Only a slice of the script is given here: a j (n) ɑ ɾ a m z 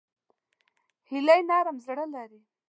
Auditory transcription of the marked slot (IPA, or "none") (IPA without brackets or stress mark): n